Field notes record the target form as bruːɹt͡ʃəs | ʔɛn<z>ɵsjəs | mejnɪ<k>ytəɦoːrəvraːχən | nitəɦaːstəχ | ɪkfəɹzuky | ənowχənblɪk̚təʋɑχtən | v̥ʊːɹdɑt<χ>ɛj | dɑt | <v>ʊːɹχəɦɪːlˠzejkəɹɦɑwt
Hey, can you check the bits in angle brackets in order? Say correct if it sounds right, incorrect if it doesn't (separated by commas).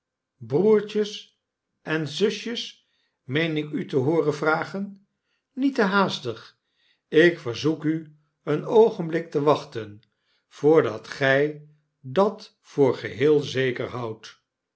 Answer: correct, correct, correct, incorrect